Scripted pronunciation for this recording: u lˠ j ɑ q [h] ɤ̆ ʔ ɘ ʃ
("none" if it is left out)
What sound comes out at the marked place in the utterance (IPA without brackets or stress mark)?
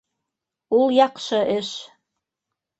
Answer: ʃ